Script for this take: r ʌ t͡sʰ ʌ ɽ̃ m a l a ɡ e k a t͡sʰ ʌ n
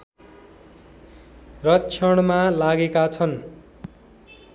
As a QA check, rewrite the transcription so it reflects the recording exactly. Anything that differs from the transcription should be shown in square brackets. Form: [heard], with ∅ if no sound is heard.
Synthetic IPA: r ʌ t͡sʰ ʌ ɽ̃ m a l a ɡ e k a t͡sʰ ʌ n